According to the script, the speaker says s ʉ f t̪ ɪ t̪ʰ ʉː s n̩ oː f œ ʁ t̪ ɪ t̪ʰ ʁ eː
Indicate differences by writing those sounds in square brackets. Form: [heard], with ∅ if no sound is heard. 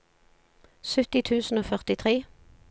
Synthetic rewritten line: s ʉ [∅] t̪ ɪ t̪ʰ ʉː s n̩ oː f œ ʁ t̪ ɪ t̪ʰ ʁ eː